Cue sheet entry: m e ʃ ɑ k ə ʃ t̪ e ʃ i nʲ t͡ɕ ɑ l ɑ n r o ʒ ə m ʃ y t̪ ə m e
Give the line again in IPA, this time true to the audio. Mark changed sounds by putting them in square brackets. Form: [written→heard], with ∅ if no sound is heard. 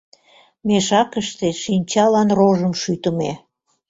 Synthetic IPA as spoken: m e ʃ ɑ k ə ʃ t̪ e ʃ i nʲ t͡ɕ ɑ l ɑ n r o ʒ ə m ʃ y t̪ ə m e